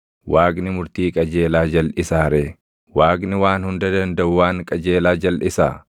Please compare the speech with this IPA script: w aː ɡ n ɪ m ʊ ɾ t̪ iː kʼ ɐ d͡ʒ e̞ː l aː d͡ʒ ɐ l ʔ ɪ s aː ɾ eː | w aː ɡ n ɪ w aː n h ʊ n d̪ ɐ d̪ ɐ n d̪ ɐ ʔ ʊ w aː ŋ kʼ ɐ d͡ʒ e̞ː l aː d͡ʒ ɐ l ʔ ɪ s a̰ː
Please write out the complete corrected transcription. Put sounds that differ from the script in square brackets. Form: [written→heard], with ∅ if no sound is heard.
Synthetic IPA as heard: w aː ɡ n ɪ m ʊ ɾ t̪ iː kʼ ɐ d͡ʒ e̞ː l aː d͡ʒ ɐ l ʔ ɪ s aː ɾ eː | w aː ɡ n ɪ w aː n h ʊ n d̪ ɐ d̪ ɐ n d̪ ɐ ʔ ʊ w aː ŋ kʼ ɐ d͡ʒ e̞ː l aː d͡ʒ ɐ l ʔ ɪ s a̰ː